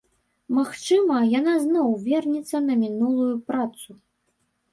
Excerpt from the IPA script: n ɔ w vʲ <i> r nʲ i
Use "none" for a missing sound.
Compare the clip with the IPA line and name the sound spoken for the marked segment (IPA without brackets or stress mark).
ɛ